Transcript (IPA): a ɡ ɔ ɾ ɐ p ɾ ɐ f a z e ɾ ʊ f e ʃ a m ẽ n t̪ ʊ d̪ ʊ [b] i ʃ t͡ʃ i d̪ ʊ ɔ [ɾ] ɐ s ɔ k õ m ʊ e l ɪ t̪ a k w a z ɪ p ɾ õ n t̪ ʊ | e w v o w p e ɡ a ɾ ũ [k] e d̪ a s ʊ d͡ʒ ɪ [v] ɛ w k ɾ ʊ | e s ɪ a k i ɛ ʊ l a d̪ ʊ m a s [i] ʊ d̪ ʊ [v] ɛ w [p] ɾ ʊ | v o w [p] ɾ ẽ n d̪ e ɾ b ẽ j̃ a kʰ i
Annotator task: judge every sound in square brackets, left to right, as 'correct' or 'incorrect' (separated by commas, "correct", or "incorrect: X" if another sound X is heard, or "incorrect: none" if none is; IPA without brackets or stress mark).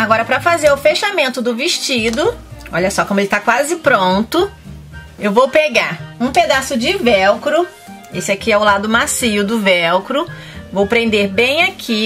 incorrect: v, incorrect: ʎ, incorrect: p, correct, correct, correct, incorrect: k, correct